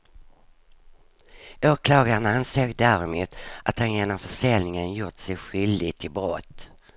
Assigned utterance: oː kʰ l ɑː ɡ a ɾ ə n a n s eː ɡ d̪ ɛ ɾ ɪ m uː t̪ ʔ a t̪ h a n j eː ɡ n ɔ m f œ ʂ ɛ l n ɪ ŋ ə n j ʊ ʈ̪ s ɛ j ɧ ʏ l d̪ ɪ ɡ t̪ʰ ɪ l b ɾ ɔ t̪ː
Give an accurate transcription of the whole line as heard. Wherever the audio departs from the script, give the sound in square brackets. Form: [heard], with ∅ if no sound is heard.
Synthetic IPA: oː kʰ l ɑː ɡ a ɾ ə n a n s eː ɡ d̪ [æ] ɾ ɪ m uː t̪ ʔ a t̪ h a n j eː [∅] n ɔ m f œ ʂ ɛ l n ɪ ŋ ə n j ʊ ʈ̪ s ɛ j ɧ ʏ l d̪ ɪ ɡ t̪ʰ ɪ l b ɾ ɔ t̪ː